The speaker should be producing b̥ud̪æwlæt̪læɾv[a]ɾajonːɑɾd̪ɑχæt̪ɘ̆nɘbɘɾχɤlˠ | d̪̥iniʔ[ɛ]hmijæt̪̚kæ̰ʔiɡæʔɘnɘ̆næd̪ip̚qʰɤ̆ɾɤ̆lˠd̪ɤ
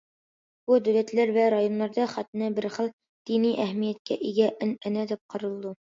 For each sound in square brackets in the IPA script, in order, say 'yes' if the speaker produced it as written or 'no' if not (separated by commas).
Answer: no, no